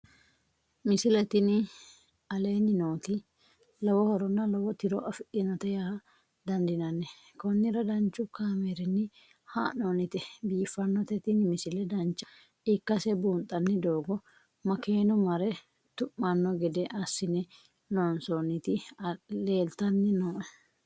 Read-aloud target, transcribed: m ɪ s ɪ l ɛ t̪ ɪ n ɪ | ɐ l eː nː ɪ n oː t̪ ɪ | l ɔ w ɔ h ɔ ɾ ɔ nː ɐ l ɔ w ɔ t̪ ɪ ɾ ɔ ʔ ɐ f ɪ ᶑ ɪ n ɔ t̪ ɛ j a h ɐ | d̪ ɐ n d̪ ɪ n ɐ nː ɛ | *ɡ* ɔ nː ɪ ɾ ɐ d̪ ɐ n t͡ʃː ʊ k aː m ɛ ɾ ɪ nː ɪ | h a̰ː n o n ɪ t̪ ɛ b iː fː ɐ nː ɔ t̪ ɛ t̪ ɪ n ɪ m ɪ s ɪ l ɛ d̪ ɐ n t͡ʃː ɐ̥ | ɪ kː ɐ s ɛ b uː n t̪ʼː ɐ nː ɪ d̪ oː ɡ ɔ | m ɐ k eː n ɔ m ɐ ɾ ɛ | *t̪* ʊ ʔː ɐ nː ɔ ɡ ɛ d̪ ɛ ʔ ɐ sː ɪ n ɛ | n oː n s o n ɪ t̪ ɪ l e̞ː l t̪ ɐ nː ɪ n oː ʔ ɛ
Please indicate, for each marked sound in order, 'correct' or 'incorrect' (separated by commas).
incorrect, correct